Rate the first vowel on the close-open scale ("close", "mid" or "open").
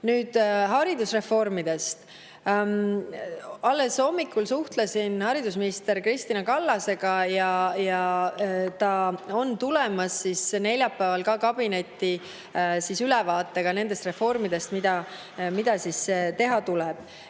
close